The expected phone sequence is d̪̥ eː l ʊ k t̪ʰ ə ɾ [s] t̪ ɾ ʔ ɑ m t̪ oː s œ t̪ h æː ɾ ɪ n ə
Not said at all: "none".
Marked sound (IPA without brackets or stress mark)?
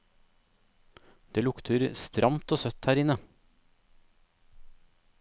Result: s